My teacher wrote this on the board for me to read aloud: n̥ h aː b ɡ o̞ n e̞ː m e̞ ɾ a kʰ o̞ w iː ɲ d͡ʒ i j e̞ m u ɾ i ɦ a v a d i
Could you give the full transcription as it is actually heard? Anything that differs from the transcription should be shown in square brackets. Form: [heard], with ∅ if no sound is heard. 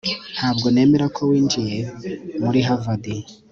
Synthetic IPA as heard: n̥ h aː b ɡ o̞ n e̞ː m e̞ ɾ a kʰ o̞ w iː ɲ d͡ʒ i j e̞ m u ɾ i ɦ a v a d i